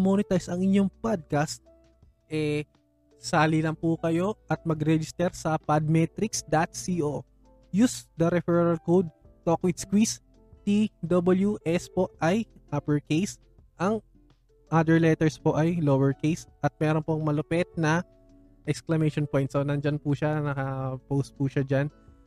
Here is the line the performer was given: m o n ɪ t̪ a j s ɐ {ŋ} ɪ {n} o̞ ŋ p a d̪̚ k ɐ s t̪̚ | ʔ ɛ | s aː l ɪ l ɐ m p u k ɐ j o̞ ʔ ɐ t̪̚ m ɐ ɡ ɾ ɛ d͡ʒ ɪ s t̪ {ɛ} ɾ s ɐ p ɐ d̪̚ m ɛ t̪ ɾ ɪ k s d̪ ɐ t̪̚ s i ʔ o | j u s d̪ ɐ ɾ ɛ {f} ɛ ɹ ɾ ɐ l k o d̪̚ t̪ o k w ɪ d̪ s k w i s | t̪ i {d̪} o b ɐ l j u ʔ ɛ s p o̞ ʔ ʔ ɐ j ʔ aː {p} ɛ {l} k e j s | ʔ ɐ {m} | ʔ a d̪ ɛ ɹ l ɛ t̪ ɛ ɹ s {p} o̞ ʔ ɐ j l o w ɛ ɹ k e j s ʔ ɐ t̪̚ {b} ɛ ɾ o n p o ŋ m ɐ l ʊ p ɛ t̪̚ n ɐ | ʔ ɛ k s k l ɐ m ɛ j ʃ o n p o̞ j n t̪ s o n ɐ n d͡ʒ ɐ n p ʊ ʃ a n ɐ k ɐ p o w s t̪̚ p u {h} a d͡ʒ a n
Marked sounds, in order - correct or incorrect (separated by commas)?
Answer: correct, incorrect, correct, correct, correct, correct, incorrect, incorrect, correct, incorrect, incorrect